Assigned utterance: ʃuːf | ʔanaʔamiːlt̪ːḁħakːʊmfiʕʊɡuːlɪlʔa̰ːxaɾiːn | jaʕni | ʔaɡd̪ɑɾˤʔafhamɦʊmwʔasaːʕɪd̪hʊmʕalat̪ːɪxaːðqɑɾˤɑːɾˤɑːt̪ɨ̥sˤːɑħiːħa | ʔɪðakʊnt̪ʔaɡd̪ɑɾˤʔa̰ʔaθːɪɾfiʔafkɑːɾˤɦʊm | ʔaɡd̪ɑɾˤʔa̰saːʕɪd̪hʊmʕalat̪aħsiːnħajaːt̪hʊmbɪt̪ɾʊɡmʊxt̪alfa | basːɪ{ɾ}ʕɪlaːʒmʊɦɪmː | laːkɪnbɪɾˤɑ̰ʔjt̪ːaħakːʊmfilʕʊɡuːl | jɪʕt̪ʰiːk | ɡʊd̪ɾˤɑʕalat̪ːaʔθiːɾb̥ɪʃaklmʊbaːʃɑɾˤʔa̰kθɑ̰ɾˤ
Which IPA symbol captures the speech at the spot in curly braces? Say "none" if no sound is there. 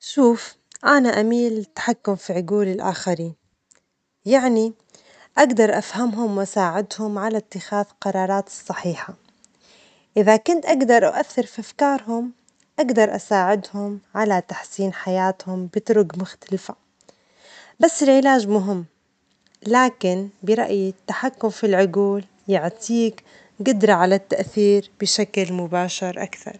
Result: l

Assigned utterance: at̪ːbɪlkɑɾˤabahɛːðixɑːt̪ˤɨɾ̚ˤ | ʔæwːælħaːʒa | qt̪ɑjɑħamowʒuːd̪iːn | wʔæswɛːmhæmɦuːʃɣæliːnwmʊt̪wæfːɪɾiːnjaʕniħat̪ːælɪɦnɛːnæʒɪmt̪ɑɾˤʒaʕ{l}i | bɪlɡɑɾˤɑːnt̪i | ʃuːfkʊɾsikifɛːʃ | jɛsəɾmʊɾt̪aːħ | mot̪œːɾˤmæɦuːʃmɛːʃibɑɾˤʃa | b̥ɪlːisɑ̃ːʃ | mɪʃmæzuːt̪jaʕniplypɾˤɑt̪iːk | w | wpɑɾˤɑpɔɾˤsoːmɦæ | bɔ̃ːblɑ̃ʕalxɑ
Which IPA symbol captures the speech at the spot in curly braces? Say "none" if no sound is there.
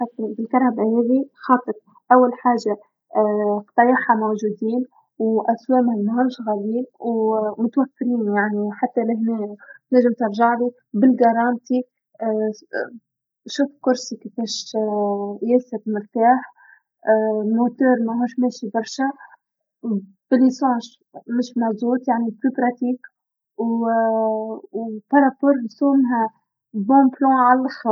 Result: l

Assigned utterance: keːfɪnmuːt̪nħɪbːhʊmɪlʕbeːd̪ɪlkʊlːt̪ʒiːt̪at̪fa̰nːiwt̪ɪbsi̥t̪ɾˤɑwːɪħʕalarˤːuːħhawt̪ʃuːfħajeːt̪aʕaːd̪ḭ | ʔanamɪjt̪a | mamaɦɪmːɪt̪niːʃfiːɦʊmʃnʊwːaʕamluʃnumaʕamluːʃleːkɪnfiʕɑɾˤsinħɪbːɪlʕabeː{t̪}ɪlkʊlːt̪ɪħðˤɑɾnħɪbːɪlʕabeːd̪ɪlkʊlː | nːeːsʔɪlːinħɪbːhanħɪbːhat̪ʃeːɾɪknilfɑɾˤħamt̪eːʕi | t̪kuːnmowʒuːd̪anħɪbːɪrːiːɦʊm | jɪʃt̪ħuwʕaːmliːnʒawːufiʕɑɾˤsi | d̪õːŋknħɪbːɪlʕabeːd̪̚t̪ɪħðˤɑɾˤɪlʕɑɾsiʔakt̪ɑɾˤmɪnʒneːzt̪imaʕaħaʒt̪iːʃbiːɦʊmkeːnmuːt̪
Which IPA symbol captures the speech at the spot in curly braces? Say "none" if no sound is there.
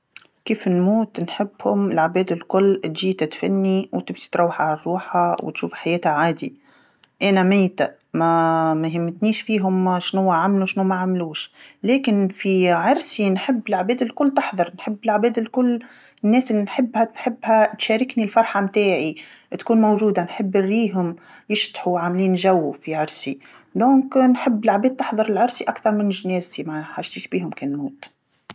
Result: d̪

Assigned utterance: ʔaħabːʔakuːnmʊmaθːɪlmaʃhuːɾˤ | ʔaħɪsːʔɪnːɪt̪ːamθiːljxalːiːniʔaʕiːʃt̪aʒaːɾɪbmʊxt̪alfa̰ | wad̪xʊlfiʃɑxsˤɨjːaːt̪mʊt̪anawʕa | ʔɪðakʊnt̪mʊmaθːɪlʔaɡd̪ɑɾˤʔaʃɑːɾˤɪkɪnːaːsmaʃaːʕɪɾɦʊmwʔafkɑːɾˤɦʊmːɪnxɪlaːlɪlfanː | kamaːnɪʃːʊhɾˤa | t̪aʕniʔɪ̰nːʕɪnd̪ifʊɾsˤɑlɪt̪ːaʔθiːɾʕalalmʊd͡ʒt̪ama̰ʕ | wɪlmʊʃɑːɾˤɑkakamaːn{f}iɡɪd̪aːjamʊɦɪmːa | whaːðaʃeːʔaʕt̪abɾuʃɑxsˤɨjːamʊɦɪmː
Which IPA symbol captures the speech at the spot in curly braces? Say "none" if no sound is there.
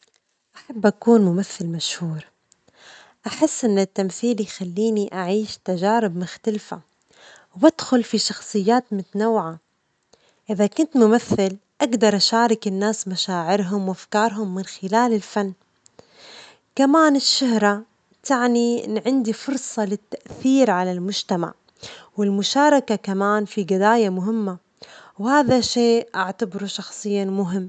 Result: f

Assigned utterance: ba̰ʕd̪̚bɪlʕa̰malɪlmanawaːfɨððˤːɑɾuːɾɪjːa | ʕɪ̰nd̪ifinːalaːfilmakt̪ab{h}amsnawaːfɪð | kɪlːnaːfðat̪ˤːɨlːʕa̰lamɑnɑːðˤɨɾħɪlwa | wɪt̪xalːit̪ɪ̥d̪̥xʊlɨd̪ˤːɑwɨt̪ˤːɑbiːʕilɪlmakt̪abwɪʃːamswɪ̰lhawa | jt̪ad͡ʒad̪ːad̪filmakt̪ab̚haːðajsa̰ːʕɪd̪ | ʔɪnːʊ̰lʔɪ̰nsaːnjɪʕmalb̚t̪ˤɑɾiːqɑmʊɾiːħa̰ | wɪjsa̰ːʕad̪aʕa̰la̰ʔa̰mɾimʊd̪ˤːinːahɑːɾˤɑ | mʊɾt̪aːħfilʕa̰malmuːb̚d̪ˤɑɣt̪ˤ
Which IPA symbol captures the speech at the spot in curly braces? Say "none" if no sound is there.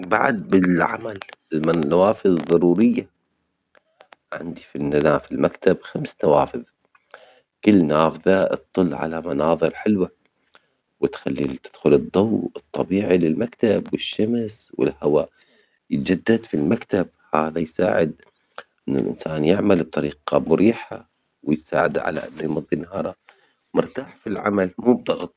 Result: x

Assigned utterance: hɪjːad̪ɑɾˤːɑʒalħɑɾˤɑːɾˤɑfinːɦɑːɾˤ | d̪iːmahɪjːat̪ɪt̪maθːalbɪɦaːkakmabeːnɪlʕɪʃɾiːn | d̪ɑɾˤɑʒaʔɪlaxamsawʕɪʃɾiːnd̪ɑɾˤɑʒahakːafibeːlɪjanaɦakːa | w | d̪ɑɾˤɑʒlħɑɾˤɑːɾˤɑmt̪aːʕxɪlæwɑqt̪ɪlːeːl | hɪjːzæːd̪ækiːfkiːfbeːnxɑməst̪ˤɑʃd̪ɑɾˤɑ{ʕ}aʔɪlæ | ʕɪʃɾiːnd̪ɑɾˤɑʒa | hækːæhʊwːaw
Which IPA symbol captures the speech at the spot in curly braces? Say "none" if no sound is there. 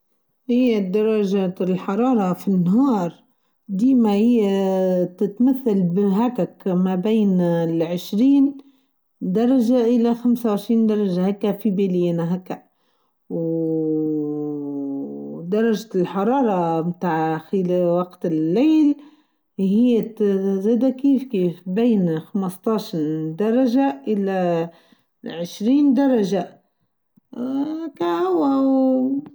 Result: ʒ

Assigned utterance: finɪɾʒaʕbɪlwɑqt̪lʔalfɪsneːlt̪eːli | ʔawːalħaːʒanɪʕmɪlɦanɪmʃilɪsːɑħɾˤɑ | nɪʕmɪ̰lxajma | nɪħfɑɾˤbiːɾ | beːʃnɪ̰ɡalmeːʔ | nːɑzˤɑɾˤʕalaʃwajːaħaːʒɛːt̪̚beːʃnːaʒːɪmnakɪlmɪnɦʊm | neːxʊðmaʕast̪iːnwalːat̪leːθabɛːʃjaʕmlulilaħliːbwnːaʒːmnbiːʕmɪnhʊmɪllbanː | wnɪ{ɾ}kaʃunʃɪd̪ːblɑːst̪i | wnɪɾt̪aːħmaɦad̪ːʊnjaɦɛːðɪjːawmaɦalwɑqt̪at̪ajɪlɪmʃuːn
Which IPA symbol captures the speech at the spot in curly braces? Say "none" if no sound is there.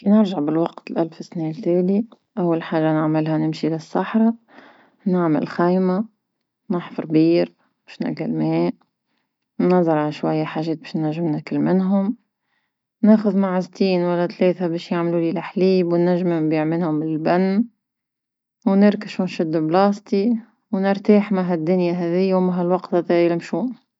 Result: ɾ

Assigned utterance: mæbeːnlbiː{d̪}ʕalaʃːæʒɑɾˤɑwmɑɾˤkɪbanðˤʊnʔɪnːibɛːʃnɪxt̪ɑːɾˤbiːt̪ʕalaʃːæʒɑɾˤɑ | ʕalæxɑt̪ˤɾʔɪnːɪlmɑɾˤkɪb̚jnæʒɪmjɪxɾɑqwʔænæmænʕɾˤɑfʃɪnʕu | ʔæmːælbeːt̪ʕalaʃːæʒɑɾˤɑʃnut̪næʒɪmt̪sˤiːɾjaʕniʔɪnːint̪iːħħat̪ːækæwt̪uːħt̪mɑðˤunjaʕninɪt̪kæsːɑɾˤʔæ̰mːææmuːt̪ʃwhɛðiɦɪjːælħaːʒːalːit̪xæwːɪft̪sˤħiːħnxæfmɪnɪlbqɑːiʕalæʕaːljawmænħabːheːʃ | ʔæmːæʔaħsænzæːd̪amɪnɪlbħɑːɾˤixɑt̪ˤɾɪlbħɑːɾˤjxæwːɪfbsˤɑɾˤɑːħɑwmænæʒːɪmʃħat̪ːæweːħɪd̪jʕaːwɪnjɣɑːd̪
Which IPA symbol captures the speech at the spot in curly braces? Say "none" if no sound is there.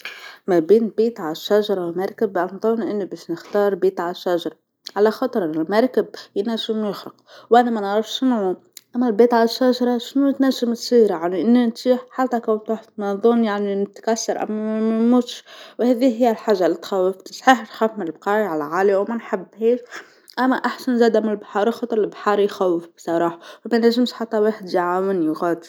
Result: t̪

